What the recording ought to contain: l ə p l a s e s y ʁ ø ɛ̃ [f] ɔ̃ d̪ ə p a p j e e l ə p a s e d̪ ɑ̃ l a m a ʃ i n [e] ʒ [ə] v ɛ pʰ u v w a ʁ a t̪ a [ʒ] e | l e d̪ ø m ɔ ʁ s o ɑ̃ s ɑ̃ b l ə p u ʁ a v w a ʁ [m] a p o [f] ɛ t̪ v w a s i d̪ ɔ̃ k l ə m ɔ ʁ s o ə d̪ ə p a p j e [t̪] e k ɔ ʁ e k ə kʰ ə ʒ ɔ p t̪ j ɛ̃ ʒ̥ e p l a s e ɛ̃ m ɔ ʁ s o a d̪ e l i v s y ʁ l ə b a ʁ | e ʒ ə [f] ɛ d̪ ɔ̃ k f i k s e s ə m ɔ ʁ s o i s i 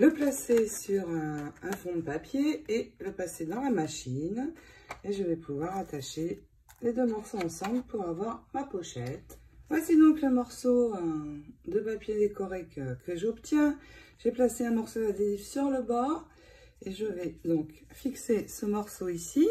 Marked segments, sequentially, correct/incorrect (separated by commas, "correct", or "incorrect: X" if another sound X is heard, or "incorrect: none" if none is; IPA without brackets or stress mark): correct, correct, correct, incorrect: ʃ, correct, incorrect: ʃ, incorrect: d̪, incorrect: v